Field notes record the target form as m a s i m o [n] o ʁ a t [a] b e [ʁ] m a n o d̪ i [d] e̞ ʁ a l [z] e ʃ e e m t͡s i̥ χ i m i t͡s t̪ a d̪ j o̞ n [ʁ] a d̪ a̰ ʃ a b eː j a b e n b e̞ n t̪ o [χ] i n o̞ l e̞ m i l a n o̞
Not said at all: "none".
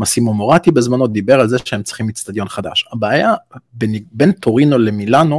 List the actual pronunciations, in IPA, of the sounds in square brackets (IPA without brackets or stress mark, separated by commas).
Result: m, i, z, b, z, χ, ʁ